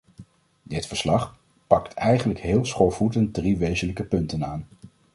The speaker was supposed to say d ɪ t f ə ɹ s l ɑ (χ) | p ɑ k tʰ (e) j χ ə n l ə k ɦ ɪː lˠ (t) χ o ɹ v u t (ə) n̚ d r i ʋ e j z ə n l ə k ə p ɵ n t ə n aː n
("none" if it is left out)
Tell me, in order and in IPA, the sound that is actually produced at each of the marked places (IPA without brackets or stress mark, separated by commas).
χ, ɛ, s, ə